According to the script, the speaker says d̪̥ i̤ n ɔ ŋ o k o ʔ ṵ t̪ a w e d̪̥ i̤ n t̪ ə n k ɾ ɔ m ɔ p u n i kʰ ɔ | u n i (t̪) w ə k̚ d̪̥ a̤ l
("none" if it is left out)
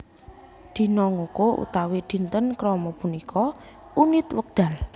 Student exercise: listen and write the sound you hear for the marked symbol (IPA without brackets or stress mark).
t̪